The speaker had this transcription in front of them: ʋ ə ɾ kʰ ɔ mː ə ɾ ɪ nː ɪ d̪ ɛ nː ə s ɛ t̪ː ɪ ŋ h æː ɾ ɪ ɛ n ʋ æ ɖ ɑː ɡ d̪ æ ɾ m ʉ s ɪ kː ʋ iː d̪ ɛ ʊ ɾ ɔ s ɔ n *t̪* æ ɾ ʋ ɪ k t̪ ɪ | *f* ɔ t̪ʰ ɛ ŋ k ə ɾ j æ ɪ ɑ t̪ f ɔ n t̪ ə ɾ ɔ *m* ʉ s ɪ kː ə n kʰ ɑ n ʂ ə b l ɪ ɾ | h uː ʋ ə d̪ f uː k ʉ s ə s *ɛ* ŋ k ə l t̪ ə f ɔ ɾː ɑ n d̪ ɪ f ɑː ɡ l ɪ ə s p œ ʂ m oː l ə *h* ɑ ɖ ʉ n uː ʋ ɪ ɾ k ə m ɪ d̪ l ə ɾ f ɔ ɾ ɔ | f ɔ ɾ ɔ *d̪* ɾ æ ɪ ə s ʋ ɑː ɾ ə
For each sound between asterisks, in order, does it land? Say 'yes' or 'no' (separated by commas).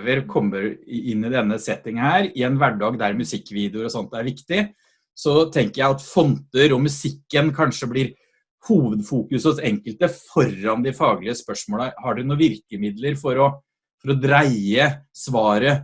yes, no, yes, yes, yes, yes